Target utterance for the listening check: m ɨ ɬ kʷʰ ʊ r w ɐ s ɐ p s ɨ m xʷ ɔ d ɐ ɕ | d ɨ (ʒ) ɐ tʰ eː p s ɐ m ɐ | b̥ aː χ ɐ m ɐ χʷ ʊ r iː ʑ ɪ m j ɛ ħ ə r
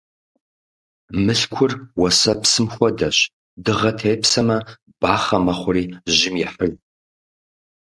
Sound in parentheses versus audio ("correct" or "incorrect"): incorrect